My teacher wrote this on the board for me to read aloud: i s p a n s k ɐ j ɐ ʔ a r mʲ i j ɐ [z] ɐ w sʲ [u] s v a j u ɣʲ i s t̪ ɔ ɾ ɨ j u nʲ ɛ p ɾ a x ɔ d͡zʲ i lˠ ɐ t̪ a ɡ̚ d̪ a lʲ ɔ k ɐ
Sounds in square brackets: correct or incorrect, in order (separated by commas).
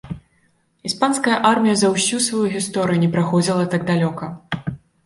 correct, correct